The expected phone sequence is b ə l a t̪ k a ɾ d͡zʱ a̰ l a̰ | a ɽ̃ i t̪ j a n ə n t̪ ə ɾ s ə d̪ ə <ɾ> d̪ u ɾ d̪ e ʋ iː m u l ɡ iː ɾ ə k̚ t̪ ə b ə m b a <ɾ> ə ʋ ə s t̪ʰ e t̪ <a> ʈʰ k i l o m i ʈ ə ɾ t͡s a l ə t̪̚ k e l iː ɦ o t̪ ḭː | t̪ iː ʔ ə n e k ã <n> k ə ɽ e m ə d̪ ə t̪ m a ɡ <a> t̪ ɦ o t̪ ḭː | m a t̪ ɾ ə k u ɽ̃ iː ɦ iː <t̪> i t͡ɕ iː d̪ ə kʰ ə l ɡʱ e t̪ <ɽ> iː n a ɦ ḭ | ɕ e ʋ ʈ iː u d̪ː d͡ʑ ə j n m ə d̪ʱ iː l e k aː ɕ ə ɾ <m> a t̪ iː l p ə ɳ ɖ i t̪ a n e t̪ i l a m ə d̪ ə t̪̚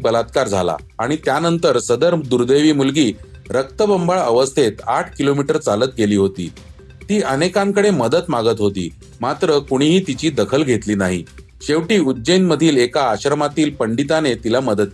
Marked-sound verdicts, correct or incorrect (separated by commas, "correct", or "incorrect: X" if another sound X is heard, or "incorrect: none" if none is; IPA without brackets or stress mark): correct, incorrect: ɭ, correct, incorrect: ŋ, incorrect: ə, correct, incorrect: l, correct